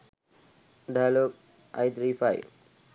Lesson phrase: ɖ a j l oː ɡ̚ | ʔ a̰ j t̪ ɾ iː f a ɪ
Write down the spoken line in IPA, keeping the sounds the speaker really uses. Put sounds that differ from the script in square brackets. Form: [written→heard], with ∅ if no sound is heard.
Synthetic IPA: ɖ a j l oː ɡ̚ | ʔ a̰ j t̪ ɾ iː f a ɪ

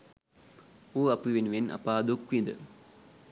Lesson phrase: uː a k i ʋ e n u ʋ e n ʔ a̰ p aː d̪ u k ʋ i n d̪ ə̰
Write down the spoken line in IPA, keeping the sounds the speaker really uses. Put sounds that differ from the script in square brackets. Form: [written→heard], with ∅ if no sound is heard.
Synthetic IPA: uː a [k→p] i ʋ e n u ʋ e n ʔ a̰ p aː d̪ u k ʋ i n d̪ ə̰

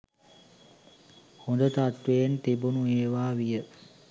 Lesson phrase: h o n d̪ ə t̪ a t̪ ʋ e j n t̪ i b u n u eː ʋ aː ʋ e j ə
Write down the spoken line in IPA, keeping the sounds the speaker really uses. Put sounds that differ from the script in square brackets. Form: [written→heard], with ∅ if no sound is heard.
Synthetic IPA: h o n d̪ ə t̪ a t̪ ʋ e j n t̪ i b u n u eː ʋ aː ʋ [e→i] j ə

